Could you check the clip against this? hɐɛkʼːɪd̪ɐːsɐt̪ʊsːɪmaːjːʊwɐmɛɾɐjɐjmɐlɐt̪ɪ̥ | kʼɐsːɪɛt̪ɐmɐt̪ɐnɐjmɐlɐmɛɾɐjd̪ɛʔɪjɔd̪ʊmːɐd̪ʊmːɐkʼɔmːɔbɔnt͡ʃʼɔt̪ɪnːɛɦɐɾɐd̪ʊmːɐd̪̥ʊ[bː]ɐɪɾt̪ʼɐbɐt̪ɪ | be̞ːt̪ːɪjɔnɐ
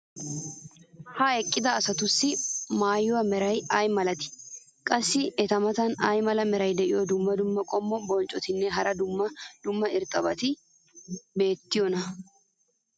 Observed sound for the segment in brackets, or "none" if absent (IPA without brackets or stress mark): mː